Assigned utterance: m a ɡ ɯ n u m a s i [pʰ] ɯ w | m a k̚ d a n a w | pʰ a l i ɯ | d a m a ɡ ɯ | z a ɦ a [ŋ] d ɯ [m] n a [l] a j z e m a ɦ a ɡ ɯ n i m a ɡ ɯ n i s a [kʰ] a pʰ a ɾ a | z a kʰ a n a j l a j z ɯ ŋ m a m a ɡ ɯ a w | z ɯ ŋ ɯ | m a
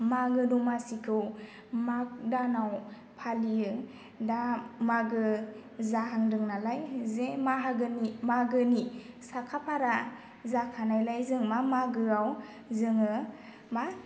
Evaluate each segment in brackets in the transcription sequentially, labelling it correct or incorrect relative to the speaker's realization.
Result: incorrect: kʰ, correct, incorrect: ŋ, correct, correct

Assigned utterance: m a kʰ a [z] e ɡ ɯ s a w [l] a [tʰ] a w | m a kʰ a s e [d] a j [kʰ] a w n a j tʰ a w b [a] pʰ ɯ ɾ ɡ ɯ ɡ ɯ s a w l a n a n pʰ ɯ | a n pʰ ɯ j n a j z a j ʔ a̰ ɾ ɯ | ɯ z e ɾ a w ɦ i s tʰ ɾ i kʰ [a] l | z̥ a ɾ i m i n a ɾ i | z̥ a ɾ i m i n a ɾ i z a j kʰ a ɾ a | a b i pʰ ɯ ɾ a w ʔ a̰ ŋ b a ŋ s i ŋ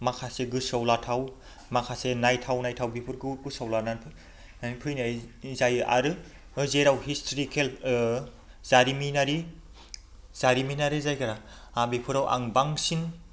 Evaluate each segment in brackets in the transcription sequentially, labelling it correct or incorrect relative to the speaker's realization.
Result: incorrect: s, correct, correct, incorrect: n, incorrect: tʰ, incorrect: i, incorrect: e

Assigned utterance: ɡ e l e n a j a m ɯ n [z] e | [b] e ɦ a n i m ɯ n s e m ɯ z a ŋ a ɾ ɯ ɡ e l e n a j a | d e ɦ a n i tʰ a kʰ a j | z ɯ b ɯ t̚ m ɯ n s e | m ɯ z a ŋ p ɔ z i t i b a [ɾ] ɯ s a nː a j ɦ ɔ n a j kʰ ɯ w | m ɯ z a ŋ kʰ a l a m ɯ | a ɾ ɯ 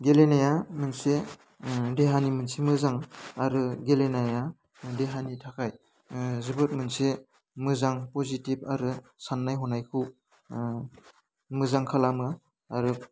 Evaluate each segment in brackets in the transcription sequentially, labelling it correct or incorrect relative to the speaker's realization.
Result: incorrect: s, incorrect: d, correct

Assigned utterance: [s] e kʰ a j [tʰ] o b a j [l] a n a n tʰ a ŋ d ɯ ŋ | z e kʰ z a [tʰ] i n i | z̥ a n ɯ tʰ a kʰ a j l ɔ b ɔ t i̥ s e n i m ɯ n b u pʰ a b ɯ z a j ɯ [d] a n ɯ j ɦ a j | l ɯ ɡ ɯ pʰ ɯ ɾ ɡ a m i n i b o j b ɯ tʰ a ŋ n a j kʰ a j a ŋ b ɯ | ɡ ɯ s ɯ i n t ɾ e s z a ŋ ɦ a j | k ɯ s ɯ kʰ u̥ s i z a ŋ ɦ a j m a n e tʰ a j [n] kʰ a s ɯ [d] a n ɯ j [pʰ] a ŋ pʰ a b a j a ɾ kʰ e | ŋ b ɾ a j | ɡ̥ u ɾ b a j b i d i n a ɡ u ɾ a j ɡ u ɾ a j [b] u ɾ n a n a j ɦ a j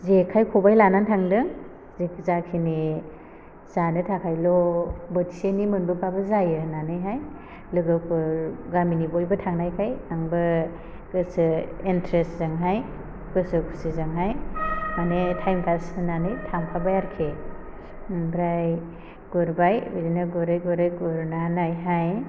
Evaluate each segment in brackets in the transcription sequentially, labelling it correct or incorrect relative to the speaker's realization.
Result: incorrect: z, incorrect: kʰ, correct, incorrect: kʰ, incorrect: n, incorrect: m, incorrect: n, incorrect: tʰ, incorrect: ɡ

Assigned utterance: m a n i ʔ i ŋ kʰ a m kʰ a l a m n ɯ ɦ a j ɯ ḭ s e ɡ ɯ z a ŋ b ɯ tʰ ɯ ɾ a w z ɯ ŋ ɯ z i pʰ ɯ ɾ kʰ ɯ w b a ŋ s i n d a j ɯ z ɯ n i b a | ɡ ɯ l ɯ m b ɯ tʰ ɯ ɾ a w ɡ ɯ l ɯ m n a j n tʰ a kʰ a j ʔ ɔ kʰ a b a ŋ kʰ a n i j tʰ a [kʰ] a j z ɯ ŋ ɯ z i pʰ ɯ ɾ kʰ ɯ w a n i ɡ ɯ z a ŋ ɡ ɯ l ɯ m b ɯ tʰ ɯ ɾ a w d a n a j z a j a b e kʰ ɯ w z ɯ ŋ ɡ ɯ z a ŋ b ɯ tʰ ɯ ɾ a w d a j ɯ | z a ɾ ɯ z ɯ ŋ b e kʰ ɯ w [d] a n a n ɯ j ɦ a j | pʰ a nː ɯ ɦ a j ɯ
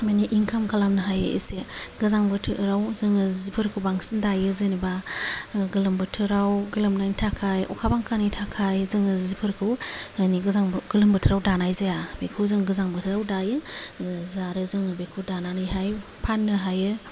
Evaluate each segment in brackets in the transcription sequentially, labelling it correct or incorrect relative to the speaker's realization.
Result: correct, correct

